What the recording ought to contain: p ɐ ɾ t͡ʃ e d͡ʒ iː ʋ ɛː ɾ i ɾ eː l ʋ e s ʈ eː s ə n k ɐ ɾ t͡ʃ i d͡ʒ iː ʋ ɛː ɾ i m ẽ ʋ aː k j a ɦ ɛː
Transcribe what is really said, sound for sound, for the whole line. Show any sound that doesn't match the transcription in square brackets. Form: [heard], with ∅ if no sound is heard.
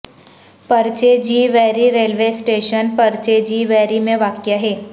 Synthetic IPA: p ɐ ɾ t͡ʃ e d͡ʒ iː ʋ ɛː ɾ i ɾ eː l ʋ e s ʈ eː [ʃ] ə n [p] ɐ ɾ t͡ʃ [e] d͡ʒ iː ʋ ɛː ɾ i m ẽ ʋ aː k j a ɦ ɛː

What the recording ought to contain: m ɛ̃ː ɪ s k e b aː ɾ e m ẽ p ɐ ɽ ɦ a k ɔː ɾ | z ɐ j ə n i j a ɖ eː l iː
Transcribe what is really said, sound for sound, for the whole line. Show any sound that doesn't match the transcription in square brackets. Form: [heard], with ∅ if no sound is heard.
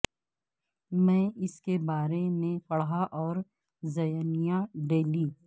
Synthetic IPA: m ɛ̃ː ɪ s k e b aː ɾ e m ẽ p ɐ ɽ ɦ a [ʔ] ɔː ɾ | z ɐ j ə n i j a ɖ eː l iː

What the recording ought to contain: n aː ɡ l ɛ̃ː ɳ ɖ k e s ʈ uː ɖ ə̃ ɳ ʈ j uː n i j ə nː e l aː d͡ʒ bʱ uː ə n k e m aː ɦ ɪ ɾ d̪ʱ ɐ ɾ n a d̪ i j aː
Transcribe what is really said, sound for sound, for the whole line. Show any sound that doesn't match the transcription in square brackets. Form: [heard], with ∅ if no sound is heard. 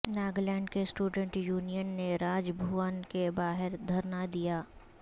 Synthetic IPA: n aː ɡ l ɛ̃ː ɳ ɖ k e s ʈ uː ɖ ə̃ ɳ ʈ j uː n i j ə nː e [ɾ] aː d͡ʒ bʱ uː ə n k e [b] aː ɦ ɪ ɾ d̪ʱ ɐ ɾ n a d̪ i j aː

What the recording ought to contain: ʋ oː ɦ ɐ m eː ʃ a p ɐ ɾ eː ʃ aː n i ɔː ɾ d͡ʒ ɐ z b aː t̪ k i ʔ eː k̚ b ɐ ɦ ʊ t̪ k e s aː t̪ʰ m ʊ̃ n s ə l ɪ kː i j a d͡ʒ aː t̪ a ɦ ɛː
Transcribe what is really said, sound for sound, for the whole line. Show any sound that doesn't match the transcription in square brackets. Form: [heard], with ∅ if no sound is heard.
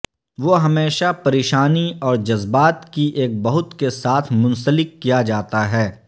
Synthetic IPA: ʋ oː ɦ ɐ m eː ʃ a p ɐ ɾ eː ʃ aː n i ɔː ɾ d͡ʒ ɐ z b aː t̪ k i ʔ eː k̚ b ɐ ɦ ʊ t̪ k e s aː t̪ʰ m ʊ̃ n s ə l ɪ kː i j a d͡ʒ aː t̪ a ɦ ɛː

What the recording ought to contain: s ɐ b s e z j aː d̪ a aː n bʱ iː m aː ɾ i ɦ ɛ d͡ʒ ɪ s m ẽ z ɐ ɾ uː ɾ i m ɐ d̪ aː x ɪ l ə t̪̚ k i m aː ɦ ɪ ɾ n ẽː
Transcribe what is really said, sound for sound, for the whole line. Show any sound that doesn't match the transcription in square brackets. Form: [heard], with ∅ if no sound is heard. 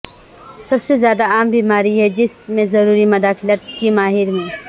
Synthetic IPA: s ɐ b s e z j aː d̪ a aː [m] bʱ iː m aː ɾ i ɦ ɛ d͡ʒ ɪ s m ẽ z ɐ ɾ uː ɾ i m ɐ d̪ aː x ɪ l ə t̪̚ k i m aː ɦ ɪ ɾ [m] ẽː

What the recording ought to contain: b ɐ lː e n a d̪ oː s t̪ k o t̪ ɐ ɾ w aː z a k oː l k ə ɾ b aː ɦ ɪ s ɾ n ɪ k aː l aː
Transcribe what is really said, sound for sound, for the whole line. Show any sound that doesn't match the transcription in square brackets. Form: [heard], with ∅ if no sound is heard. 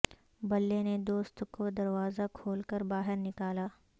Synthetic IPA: b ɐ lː e n [e] d̪ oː s t̪ k o [d̪] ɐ ɾ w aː z a [kʰ] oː l k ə ɾ b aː ɦ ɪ [∅] ɾ n ɪ k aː l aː

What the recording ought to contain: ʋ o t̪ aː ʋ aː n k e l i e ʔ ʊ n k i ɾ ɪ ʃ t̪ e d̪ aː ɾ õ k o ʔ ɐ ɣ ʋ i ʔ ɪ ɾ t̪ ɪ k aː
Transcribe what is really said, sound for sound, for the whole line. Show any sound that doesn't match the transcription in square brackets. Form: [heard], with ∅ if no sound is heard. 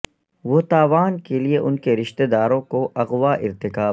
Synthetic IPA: ʋ o t̪ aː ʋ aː n k e l i e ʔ ʊ n k [e] ɾ ɪ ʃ t̪ e d̪ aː ɾ õ k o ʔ ɐ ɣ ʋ [a] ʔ ɪ ɾ t̪ ɪ k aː

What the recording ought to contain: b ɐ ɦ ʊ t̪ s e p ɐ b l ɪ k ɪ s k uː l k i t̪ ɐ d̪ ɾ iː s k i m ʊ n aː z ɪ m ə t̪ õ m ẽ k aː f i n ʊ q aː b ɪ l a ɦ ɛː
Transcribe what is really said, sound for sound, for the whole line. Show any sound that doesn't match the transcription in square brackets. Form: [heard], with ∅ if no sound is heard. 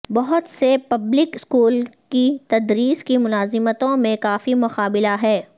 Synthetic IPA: b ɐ ɦ ʊ t̪ s e p ɐ b l ɪ k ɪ s k uː l k i t̪ ɐ d̪ ɾ iː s k i m ʊ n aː z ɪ m ə t̪ õ m ẽ k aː f i [m] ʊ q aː b ɪ l a ɦ ɛː

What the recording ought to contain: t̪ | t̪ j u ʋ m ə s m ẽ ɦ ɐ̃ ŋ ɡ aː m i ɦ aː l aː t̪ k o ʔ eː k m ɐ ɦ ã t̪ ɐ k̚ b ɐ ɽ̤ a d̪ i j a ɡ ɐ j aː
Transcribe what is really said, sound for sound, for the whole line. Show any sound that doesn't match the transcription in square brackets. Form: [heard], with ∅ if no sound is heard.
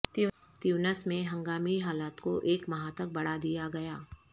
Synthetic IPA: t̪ | t̪ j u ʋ [n] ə s m ẽ ɦ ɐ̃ ŋ ɡ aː m i ɦ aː l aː t̪ k o ʔ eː k m ɐ ɦ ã t̪ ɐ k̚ b ɐ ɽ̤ a d̪ i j a ɡ ɐ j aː

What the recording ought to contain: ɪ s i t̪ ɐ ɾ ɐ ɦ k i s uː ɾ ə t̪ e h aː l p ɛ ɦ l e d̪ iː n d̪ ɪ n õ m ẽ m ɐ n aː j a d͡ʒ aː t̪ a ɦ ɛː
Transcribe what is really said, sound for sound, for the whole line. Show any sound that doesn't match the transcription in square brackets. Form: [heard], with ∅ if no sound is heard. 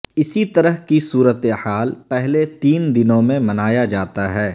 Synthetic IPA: ɪ s i t̪ ɐ ɾ [ə] ɦ k i s uː ɾ ə t̪ e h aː l p ɛ ɦ l e [t̪] iː n d̪ ɪ n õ m ẽ m ɐ n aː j a d͡ʒ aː t̪ a ɦ ɛː

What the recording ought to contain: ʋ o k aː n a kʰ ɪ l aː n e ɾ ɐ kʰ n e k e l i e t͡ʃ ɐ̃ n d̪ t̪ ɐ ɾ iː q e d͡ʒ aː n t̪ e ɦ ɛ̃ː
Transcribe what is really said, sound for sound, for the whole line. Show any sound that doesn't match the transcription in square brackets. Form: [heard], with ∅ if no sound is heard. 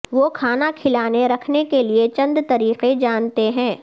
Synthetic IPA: ʋ o [kʰ] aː n a kʰ ɪ l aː n e ɾ ɐ kʰ n e k e l i e t͡ʃ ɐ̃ n d̪ t̪ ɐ ɾ iː q e d͡ʒ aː n t̪ e ɦ ɛ̃ː

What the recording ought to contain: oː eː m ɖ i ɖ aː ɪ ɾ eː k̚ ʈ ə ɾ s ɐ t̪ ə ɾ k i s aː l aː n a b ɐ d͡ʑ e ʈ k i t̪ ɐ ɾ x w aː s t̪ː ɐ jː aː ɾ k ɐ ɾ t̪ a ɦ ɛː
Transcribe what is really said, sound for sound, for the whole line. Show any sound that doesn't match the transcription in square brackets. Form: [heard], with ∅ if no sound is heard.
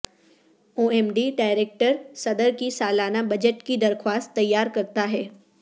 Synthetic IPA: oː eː m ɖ i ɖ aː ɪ ɾ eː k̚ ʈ ə ɾ s ɐ [d̪] ə ɾ k i s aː l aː n a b ɐ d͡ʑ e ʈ k i [d̪] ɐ ɾ x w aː s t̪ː ɐ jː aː ɾ k ɐ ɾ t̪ a ɦ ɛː

